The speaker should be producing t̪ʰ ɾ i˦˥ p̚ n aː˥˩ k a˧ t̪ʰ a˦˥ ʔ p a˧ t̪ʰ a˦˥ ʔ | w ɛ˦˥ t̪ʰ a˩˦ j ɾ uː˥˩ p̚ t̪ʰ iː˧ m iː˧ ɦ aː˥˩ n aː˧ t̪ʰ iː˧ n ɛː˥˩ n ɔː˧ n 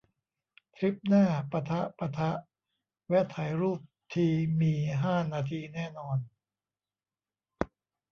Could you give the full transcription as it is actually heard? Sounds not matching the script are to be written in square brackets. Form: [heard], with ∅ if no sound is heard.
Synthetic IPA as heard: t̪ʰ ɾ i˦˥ p̚ n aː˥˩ [p] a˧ t̪ʰ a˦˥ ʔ p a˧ t̪ʰ a˦˥ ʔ | w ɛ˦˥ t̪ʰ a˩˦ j ɾ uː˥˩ p̚ t̪ʰ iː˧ m iː˧ ɦ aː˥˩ n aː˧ t̪ʰ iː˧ n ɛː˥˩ n ɔː˧ n